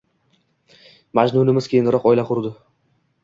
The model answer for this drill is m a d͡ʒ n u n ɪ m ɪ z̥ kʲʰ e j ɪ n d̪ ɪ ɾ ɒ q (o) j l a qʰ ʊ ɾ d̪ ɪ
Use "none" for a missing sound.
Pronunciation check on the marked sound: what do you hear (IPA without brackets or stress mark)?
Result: ɒ